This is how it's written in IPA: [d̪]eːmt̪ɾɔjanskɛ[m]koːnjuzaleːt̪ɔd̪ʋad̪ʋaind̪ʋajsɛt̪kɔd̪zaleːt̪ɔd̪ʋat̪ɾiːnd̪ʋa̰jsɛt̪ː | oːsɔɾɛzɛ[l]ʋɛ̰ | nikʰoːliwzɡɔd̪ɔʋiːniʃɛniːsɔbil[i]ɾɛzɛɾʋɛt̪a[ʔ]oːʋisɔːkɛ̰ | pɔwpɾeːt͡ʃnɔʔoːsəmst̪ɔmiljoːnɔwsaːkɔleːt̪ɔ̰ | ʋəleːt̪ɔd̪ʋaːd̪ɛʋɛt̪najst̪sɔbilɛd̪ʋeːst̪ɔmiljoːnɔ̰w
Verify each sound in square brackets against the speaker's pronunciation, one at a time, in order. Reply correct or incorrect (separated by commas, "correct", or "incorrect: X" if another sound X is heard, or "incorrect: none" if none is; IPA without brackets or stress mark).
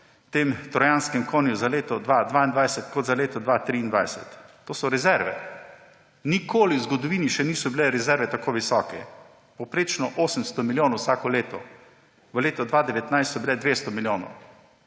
incorrect: t̪, correct, incorrect: ɾ, incorrect: ɛ, incorrect: k